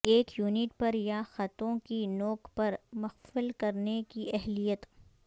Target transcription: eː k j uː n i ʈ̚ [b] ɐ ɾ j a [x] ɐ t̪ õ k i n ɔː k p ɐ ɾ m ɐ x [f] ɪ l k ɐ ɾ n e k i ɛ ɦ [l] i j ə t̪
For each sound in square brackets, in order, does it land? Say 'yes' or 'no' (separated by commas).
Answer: no, yes, yes, yes